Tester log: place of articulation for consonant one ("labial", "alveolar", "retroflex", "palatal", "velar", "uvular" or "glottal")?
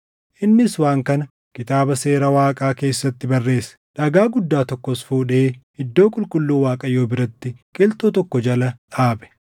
glottal